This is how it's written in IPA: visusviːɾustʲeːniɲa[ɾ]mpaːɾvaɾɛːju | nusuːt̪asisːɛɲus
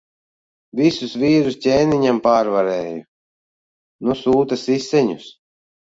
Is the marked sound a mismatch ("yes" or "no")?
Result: yes